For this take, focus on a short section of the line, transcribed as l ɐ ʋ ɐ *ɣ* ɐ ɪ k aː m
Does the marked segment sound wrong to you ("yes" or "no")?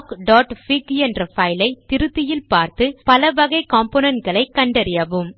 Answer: no